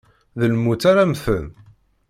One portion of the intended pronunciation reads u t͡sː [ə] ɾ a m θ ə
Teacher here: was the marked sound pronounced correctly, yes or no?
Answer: no